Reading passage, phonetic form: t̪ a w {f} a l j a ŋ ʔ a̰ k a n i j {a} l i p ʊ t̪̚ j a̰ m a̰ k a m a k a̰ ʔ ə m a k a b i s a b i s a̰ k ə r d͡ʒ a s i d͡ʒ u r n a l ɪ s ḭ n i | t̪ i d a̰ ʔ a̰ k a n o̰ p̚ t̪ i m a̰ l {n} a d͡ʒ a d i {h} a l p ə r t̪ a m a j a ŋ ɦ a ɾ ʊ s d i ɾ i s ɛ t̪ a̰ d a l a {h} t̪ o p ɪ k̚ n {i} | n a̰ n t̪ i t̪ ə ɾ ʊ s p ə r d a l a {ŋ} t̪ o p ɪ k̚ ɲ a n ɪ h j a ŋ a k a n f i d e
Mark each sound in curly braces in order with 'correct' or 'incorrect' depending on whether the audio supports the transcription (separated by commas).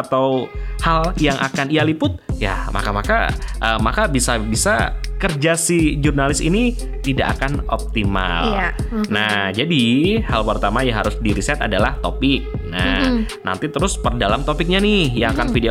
incorrect, correct, correct, correct, correct, incorrect, incorrect